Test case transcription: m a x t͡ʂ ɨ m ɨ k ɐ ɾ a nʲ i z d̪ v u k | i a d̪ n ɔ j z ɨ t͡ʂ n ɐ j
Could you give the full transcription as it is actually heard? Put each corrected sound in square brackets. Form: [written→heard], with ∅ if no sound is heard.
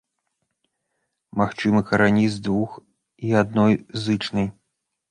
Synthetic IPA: m a x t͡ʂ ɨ m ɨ k ɐ ɾ a nʲ i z d̪ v u [k→x] | i a d̪ n ɔ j z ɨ t͡ʂ n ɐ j